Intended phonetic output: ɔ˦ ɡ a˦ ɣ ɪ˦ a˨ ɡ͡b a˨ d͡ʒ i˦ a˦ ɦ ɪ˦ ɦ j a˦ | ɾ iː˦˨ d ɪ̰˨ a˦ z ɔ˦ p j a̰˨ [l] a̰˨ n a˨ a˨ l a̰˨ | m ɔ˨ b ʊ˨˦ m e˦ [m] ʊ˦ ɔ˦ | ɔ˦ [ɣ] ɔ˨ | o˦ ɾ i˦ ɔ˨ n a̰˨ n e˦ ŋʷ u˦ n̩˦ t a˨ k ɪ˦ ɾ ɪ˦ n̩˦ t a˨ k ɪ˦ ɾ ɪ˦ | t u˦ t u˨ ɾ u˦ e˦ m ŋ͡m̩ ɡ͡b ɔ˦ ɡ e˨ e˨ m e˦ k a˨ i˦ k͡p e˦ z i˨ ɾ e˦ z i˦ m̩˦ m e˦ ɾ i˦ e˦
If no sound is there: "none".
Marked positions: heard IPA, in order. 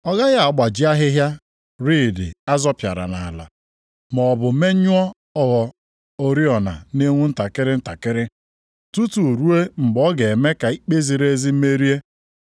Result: ɾ, ɲ, ɣ

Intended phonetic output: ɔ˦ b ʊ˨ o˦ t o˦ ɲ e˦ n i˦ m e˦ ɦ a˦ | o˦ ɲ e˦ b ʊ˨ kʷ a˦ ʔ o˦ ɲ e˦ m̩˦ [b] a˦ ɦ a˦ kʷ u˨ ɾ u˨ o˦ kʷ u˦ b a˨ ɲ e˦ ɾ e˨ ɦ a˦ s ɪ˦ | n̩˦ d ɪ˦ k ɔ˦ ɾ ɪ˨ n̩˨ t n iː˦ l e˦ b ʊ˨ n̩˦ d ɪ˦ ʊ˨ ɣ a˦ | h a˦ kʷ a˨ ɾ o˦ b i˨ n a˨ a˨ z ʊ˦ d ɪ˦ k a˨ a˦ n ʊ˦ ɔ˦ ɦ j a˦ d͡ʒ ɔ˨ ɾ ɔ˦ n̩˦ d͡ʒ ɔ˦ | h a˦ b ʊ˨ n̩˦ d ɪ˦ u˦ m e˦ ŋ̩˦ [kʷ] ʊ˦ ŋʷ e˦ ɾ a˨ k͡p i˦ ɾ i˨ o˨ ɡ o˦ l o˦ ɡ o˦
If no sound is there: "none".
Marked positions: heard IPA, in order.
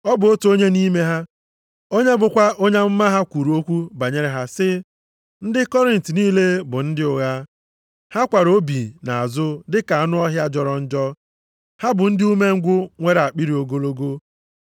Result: m, ɡʷ

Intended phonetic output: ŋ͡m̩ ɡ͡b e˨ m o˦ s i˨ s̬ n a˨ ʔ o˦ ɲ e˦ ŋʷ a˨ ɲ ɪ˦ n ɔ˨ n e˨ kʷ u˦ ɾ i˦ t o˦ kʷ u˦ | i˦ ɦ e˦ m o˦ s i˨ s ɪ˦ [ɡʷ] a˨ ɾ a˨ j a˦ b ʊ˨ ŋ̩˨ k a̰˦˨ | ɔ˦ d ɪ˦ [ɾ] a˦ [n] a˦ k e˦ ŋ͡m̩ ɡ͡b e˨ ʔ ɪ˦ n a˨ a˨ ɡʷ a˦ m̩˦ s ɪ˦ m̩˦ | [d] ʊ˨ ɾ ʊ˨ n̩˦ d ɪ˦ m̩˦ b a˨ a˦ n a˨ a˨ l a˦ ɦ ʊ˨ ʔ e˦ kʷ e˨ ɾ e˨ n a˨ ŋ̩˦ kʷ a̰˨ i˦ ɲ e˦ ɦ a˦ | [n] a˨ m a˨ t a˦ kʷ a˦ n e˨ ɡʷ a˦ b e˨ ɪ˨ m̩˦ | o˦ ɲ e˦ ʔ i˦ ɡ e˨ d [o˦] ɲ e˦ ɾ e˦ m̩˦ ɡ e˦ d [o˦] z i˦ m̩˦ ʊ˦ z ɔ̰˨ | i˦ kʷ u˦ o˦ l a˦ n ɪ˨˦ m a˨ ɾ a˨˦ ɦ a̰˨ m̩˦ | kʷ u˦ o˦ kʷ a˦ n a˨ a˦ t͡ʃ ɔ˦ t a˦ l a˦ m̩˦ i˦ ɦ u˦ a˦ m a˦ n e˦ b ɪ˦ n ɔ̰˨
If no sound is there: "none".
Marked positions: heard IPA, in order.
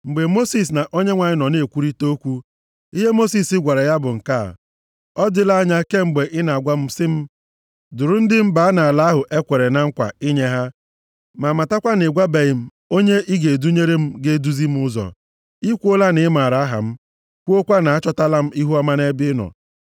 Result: ɡʷ, l, ɲ, d, m, u˦, u˦

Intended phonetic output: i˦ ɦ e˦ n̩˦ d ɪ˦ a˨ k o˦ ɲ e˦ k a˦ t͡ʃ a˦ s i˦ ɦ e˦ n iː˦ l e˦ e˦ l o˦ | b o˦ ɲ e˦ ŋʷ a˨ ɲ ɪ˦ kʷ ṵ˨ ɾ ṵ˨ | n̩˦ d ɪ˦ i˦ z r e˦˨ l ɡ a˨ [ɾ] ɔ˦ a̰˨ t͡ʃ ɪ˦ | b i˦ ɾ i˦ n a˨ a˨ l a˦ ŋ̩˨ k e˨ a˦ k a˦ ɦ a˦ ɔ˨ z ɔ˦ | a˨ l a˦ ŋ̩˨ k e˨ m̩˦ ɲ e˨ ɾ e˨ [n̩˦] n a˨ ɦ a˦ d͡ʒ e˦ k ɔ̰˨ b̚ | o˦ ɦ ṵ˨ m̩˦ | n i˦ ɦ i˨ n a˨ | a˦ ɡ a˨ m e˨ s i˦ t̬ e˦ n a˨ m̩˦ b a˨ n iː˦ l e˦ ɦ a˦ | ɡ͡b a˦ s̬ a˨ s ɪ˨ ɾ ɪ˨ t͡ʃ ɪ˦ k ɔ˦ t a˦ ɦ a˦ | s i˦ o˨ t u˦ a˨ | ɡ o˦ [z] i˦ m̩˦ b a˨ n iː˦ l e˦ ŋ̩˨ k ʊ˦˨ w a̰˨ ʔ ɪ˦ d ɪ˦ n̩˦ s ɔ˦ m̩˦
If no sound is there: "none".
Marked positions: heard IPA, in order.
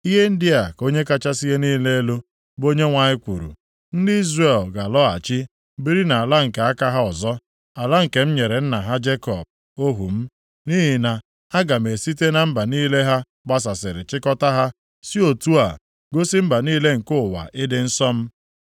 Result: l, n̩˦, s

